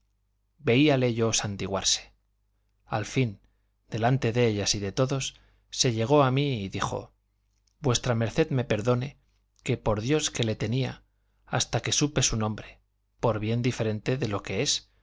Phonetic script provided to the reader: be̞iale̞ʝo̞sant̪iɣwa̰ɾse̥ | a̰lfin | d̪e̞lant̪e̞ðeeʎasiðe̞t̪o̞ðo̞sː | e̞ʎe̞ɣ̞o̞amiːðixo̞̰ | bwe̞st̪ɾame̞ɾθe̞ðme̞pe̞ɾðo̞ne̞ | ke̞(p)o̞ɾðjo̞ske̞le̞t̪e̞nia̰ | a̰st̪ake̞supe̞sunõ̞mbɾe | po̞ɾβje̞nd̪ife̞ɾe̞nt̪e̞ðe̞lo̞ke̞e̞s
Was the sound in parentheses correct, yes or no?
yes